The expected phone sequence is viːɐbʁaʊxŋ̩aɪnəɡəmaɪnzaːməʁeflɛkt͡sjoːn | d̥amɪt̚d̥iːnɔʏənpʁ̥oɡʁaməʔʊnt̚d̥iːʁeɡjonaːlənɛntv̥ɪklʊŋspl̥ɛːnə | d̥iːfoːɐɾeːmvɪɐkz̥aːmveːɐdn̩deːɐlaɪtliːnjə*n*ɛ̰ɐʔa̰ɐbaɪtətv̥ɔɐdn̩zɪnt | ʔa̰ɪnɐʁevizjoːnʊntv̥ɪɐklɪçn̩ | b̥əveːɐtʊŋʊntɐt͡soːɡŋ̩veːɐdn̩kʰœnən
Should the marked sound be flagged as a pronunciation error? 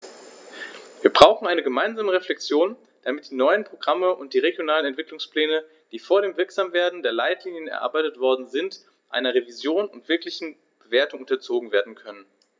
no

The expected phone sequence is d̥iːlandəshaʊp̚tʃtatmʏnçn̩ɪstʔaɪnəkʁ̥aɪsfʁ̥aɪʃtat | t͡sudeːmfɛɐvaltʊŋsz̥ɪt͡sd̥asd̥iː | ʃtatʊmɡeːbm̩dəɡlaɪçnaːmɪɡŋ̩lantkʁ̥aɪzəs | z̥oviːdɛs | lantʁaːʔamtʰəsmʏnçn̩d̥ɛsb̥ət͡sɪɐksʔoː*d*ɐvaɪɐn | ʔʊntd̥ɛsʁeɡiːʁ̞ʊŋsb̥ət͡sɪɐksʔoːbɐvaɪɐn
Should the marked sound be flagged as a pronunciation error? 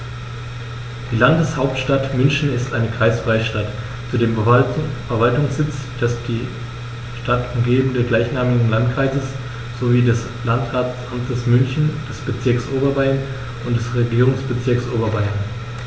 yes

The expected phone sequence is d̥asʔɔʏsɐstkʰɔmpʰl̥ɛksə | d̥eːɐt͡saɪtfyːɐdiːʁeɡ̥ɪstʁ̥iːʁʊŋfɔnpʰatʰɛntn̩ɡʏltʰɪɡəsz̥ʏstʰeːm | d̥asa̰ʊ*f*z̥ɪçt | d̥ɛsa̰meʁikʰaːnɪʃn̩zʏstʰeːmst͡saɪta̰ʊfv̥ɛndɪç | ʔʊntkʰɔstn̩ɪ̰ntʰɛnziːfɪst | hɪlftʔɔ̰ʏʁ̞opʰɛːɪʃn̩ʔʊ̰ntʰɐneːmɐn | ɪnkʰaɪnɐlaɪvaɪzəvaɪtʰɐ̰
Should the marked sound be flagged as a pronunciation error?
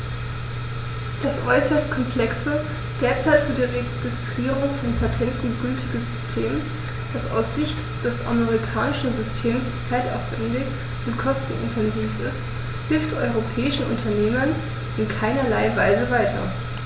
yes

